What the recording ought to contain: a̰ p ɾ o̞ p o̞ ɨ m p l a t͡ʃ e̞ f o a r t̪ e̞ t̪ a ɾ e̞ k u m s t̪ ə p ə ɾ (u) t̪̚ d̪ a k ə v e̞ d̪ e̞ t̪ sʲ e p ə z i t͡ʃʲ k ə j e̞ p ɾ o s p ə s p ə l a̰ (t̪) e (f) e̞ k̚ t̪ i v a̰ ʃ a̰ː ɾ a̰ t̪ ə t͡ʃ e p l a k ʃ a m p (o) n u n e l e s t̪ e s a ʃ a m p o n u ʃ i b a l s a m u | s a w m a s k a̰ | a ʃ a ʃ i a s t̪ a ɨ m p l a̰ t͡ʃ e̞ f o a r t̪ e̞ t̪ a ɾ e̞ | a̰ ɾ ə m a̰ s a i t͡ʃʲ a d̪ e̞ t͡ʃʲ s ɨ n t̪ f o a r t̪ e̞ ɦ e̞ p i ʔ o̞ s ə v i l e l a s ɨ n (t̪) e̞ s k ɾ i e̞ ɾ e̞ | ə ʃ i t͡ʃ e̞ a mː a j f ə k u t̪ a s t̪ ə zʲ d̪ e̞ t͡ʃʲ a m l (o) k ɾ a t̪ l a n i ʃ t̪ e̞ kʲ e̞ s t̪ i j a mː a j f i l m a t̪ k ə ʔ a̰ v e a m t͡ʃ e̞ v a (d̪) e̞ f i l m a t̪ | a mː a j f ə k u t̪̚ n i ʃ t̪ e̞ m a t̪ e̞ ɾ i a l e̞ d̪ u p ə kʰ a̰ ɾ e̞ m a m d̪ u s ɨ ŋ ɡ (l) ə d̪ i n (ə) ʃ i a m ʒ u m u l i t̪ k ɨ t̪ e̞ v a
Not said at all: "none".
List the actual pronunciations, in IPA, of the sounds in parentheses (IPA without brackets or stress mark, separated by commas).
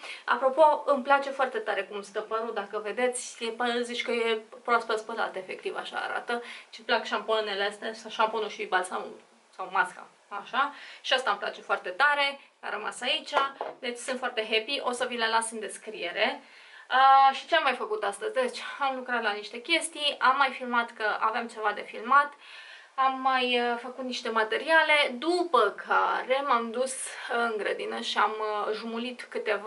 u, t̪, f, o, d̪, u, d̪, ɾ, ə